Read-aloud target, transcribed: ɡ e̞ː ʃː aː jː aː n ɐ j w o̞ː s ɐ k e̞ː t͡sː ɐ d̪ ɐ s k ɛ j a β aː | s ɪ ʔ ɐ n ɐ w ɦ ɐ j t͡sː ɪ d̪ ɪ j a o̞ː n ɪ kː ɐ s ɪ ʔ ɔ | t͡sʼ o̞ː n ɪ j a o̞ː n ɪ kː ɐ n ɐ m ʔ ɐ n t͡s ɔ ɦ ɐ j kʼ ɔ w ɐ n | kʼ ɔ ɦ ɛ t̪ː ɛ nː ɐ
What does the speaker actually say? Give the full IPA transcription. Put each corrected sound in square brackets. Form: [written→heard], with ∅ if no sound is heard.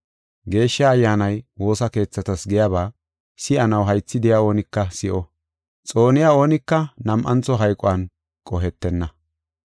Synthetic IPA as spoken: ɡ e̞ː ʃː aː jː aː n ɐ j w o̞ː s ɐ k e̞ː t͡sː ɐ [d̪→t̪] ɐ s [k→ɡ] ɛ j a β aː | s ɪ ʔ ɐ n ɐ w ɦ ɐ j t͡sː ɪ d̪ ɪ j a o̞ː n ɪ kː ɐ s ɪ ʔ ɔ | t͡sʼ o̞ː n ɪ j a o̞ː n ɪ kː ɐ n ɐ m ʔ ɐ n t͡s ɔ ɦ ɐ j kʼ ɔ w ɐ n | kʼ ɔ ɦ ɛ t̪ː ɛ nː ɐ

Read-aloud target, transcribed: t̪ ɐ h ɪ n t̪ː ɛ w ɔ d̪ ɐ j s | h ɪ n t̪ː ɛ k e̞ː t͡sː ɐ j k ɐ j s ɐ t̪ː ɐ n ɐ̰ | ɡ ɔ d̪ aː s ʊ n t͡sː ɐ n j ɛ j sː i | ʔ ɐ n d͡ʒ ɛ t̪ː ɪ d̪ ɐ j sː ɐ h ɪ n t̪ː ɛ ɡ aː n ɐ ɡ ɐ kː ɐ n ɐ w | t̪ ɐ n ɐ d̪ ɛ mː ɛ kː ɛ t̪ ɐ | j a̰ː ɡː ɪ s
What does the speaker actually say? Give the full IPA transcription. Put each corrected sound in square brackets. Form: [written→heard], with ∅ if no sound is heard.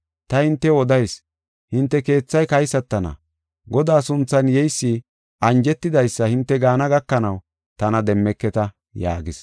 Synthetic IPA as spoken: t̪ ɐ h ɪ n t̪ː ɛ w ɔ d̪ ɐ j s | h ɪ n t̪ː ɛ k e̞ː t͡sː ɐ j k ɐ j s ɐ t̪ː ɐ n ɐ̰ | ɡ ɔ d̪ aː s ʊ n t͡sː ɐ n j ɛ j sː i | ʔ ɐ n d͡ʒ ɛ t̪ː ɪ d̪ ɐ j sː ɐ h ɪ n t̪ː ɛ ɡ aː n ɐ ɡ ɐ kː ɐ n ɐ w | t̪ ɐ n ɐ d̪ ɛ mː ɛ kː ɛ t̪ ɐ | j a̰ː [ɡː→ɡ] ɪ s

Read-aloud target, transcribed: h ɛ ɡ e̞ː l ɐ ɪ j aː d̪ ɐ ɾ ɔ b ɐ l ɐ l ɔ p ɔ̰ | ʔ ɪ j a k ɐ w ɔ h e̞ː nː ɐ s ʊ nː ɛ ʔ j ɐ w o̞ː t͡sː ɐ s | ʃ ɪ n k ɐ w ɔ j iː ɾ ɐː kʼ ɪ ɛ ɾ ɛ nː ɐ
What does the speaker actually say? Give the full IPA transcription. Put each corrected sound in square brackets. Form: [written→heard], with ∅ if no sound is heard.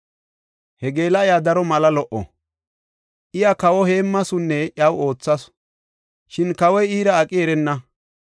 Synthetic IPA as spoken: h ɛ ɡ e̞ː l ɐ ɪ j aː d̪ ɐ ɾ ɔ [b→m] ɐ l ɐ l ɔ [p→ʔ] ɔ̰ | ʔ ɪ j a k ɐ w ɔ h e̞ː [nː→mː] ɐ s ʊ nː ɛ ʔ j ɐ w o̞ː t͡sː ɐ s | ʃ ɪ n k ɐ w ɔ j iː ɾ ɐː kʼ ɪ ɛ ɾ ɛ nː ɐ

